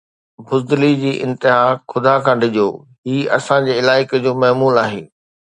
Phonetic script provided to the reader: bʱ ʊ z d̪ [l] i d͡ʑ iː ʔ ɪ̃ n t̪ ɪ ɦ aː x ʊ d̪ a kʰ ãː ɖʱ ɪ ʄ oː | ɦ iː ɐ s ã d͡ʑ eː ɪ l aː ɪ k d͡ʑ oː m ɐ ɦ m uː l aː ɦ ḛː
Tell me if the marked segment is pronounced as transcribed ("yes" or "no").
yes